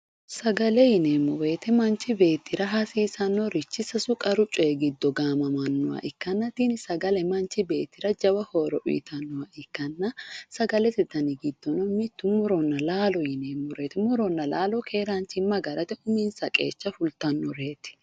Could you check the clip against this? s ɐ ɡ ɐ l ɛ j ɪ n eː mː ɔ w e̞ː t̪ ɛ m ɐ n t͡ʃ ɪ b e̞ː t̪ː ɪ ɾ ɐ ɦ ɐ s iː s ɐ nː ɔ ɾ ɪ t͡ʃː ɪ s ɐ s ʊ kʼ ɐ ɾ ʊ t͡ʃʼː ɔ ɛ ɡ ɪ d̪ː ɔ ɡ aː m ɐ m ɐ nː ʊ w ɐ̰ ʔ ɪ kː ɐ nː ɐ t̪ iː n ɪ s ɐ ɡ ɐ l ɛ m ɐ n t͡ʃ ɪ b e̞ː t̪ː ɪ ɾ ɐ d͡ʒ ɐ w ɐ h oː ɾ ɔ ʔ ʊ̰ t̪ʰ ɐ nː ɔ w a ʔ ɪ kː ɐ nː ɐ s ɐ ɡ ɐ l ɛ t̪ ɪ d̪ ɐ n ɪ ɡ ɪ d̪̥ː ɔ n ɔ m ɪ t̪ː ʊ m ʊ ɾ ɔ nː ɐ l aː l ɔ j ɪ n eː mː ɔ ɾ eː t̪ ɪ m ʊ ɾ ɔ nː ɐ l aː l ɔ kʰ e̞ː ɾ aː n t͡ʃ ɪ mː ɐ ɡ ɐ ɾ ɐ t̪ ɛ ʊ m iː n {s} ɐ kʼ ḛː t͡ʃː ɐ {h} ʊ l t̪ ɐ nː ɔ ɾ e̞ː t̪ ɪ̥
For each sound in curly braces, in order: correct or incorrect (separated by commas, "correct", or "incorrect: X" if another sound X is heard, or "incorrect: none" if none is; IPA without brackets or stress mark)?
correct, incorrect: f